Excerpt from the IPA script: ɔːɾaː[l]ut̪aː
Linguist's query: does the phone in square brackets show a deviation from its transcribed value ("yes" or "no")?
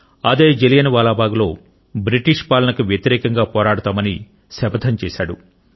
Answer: yes